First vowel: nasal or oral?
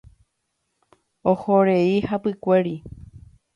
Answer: oral